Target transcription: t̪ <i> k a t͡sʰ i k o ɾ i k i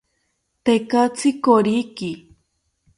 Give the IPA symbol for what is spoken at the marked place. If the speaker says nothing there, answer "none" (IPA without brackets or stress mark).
e